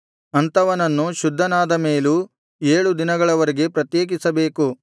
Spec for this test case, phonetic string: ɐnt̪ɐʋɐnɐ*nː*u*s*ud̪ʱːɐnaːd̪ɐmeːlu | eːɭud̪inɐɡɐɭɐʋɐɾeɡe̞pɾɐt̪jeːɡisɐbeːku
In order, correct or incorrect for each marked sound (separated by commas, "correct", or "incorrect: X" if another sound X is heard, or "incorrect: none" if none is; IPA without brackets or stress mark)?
correct, incorrect: ʃ